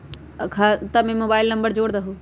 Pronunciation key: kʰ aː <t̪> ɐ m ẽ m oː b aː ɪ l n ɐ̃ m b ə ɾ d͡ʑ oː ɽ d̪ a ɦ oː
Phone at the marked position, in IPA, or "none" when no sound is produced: t̪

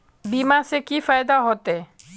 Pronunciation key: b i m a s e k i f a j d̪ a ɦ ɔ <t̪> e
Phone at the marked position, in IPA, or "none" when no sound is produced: t̪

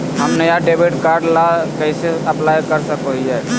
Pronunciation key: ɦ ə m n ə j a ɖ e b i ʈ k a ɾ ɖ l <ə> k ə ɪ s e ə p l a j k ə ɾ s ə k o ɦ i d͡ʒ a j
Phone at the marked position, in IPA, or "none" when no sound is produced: a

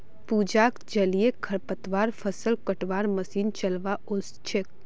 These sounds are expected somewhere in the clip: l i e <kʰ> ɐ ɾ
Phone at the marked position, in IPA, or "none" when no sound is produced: kʰ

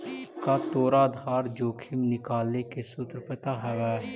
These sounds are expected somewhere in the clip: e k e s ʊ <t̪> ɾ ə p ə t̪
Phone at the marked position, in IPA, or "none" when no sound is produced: t̪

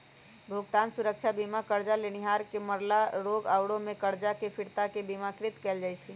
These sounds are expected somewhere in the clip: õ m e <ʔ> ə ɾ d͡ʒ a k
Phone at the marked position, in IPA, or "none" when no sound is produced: k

